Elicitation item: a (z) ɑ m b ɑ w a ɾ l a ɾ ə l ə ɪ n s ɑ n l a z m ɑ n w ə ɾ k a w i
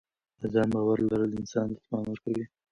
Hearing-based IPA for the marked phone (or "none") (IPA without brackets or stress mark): z